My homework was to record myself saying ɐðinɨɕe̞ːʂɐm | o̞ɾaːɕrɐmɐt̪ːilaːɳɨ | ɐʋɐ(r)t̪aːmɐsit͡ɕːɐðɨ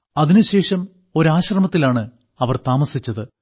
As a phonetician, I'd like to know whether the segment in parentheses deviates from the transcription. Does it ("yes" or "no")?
no